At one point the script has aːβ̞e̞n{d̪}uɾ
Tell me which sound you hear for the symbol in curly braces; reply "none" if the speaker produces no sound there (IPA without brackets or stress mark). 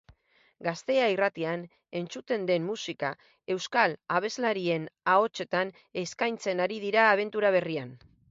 t̪